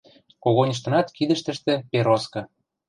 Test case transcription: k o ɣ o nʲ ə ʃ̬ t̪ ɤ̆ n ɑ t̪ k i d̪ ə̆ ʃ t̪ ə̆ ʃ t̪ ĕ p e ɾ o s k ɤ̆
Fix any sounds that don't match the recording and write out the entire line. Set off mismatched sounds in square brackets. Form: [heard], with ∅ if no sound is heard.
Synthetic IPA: k o ɣ o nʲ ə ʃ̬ t̪ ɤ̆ n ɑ t̪ k i d̪ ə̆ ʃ t̪ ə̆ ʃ t̪ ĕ p e ɾ o s k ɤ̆